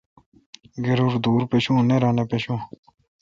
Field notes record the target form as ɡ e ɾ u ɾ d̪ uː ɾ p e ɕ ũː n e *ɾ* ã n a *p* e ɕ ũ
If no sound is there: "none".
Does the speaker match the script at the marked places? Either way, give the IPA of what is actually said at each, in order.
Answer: ɾ, p

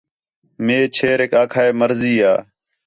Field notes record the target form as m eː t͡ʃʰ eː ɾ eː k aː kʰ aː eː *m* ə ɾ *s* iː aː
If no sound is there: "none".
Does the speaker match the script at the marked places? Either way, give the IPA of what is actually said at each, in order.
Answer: m, z

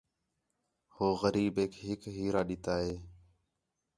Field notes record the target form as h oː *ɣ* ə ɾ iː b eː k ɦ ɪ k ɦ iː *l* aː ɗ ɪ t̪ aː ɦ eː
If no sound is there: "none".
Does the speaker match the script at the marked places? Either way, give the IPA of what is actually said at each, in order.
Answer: ɣ, ɾ

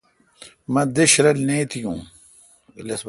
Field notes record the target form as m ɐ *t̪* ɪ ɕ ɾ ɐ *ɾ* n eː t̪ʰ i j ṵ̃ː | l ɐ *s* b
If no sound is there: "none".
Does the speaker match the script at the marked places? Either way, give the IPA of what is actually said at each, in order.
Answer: d̪, l, s

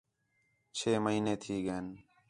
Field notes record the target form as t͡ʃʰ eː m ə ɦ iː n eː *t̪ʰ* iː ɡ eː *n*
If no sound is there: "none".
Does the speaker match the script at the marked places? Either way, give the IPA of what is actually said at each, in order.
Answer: t̪ʰ, n

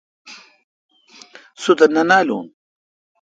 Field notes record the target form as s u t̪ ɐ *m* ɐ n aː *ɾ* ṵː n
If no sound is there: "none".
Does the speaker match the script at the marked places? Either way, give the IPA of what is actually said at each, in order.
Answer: n, l

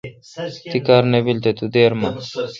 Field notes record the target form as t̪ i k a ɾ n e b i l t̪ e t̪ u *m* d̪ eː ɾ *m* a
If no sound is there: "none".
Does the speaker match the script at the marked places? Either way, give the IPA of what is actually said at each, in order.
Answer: none, m

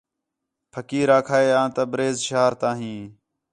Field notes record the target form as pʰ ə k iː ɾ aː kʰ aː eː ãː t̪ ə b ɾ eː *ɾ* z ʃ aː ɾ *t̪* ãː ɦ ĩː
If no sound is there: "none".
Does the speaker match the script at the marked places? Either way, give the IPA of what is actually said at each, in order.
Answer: none, t̪

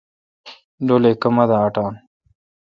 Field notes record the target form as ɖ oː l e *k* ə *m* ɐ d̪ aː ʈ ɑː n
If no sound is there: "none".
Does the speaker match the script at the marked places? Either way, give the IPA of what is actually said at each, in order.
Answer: k, m

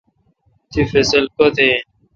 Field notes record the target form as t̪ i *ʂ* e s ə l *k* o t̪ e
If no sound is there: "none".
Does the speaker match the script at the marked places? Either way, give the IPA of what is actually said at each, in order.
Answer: f, k

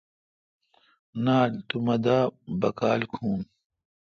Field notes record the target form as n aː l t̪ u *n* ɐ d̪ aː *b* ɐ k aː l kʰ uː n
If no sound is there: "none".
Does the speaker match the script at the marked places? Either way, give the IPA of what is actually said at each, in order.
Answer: m, b

